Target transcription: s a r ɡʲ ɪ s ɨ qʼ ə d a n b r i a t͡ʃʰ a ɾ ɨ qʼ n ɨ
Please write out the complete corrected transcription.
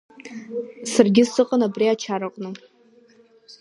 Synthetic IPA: s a r ɡʲ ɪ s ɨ qʼ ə n a b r i a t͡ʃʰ a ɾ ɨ qʼ n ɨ